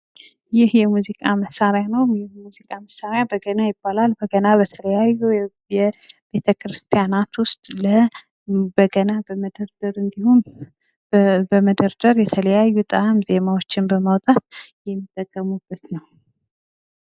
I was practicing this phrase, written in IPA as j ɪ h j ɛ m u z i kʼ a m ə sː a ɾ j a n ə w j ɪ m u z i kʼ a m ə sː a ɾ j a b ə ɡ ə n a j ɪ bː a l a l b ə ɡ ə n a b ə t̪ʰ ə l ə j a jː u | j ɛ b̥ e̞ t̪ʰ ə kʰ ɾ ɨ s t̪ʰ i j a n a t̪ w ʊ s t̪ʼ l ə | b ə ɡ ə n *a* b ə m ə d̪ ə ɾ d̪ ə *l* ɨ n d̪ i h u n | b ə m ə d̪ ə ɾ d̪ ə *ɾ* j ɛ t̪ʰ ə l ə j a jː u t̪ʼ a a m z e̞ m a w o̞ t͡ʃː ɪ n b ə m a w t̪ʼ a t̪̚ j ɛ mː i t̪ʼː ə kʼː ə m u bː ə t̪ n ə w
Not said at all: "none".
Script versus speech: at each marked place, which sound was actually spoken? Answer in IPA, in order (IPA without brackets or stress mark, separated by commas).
a, ɾ, ɾ